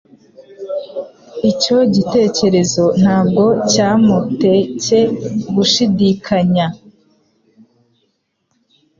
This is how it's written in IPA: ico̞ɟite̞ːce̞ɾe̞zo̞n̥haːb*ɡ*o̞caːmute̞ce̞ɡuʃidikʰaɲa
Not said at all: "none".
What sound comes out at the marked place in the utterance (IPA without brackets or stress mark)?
ɡ